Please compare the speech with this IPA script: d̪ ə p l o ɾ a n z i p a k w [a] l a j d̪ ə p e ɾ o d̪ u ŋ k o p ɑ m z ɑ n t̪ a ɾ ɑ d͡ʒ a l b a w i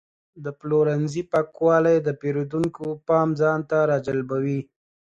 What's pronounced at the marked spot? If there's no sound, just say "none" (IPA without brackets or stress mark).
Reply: ɑ